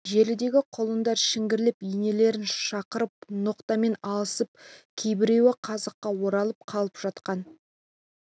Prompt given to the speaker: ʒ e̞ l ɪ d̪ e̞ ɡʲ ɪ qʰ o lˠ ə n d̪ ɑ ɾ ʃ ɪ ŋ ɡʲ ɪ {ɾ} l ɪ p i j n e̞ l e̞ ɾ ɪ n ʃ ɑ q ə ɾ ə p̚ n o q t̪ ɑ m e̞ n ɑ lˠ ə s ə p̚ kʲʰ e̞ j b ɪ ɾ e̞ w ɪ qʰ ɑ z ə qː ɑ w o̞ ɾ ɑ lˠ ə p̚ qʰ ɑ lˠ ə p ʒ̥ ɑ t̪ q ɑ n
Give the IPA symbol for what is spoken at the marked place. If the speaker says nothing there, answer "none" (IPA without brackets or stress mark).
ɾ